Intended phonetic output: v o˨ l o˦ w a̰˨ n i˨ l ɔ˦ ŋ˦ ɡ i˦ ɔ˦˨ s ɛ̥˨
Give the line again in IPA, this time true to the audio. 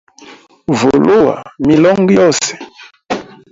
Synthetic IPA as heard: v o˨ l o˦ w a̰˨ m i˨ l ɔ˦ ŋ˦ ɡ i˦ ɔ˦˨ s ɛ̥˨